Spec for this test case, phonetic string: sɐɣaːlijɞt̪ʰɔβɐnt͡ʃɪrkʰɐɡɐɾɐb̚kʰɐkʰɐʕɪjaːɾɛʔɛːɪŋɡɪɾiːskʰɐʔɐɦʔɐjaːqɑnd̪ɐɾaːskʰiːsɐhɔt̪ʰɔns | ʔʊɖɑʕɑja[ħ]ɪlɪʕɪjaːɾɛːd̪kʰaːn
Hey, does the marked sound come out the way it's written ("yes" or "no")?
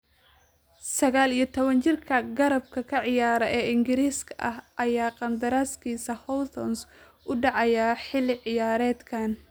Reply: yes